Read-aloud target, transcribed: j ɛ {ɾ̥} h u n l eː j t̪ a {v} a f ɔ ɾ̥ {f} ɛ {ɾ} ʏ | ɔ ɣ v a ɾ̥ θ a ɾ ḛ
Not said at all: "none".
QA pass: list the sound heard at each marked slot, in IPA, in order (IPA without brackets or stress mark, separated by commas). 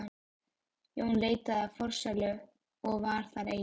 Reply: none, ð, s, l